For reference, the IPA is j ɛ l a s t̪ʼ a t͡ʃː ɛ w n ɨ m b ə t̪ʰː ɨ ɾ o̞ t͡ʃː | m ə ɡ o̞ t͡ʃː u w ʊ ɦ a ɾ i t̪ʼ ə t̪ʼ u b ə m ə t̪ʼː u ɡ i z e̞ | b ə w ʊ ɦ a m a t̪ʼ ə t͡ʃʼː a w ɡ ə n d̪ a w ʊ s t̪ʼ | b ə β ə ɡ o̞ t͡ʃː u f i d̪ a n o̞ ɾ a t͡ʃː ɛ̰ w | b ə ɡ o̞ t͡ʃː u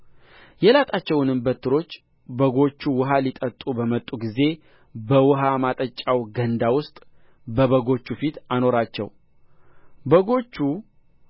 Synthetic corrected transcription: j ɛ l a t̪ʼ a t͡ʃː ɛ w n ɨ m b ə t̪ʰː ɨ ɾ o̞ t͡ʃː | b ə ɡ o̞ t͡ʃː u w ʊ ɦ a l i t̪ʼ ə t̪ʼ u b ə m ə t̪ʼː u ɡ i z e̞ | b ə w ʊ ɦ a m a t̪ʼ ə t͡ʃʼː a w ɡ ə n d̪ a w ʊ s t̪ʼ | b ə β ə ɡ o̞ t͡ʃː u f i t̪ a n o̞ ɾ a t͡ʃː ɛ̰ w | b ə ɡ o̞ t͡ʃː u